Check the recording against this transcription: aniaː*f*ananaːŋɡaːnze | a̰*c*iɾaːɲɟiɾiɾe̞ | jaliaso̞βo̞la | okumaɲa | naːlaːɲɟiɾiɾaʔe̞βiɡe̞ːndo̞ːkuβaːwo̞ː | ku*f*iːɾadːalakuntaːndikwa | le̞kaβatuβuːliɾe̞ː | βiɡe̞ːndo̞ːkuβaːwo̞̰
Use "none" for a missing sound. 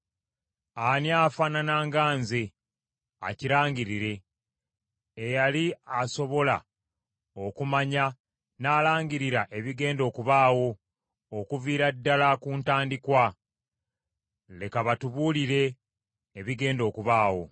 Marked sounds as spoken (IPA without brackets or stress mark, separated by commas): f, c, v